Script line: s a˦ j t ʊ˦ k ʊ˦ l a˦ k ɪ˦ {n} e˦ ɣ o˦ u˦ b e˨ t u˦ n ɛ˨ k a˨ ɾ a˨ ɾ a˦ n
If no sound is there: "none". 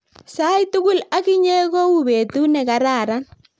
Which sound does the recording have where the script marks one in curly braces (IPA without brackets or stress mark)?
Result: ɲ